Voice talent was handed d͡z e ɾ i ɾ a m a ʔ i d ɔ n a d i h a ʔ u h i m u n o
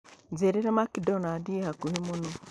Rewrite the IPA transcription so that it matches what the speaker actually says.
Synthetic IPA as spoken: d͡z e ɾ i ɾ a m a k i d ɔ n a d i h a k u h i m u n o